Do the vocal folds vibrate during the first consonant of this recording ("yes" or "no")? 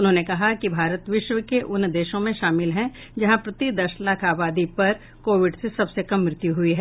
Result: yes